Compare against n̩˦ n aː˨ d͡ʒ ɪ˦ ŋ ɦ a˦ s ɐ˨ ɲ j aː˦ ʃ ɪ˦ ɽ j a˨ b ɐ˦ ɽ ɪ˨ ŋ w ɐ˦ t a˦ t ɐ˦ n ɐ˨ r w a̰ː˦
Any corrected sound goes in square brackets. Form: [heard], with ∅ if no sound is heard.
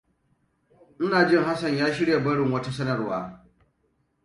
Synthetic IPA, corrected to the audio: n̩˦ n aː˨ d͡ʒ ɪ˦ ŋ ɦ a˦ s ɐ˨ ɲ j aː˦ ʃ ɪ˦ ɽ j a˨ b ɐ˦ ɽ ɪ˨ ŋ w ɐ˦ t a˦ [s] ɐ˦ n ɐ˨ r w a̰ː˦